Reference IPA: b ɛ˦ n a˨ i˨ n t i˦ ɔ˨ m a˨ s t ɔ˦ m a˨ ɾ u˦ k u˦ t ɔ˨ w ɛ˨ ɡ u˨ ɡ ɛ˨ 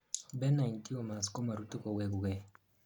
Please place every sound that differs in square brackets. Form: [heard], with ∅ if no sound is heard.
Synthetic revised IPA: b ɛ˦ n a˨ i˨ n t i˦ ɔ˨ m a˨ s [k] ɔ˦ m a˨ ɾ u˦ [t] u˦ [k] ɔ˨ w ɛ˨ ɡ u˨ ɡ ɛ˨